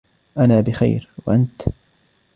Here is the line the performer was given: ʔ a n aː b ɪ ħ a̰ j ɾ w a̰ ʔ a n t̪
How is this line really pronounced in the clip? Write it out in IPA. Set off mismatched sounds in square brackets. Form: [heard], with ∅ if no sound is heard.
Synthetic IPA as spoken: ʔ a n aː b ɪ [x] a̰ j ɾ w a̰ ʔ a n t̪